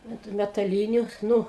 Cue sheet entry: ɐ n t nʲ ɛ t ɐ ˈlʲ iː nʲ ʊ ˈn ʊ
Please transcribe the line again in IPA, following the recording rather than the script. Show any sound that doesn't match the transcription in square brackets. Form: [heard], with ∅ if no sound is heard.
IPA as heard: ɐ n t [mʲ] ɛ t ɐ ˈlʲ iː nʲ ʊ ˈn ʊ